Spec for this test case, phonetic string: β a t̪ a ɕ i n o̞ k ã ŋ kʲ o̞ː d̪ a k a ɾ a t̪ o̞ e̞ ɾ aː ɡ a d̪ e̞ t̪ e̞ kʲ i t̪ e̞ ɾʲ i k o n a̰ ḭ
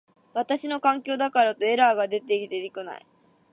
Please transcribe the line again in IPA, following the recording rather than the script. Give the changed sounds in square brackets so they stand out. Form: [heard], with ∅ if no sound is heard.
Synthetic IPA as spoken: β a t̪ a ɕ i n o̞ k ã ŋ kʲ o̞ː d̪ a k a ɾ a t̪ o̞ e̞ ɾ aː ɡ a d̪ e̞ t̪ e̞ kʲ i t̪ e̞ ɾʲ i k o n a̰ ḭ